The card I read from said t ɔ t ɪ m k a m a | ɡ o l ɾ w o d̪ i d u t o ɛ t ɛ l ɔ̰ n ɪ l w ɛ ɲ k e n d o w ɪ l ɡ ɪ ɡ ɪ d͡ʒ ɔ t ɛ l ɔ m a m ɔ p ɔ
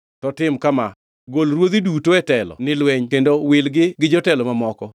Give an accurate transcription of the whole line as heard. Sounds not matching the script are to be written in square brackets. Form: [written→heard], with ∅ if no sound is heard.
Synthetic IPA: t ɔ t ɪ m k a m a | ɡ o l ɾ w o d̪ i d u t o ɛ t ɛ l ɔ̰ n ɪ l w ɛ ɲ k e n d o w ɪ l ɡ ɪ ɡ ɪ d͡ʒ ɔ t ɛ l ɔ m a m ɔ [p→k] ɔ